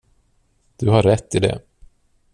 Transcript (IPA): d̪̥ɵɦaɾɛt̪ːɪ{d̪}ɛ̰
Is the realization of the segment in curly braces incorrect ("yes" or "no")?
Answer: no